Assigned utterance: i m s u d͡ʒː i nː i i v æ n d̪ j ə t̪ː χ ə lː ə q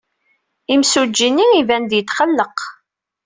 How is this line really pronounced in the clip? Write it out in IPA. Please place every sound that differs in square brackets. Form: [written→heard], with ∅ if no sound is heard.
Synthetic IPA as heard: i m s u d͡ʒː i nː i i v æ n d̪ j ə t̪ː χ ə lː ə q